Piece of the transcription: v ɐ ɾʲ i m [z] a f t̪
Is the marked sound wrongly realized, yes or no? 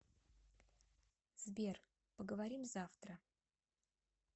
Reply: no